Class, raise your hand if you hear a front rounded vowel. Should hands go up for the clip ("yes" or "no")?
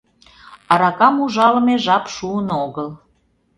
no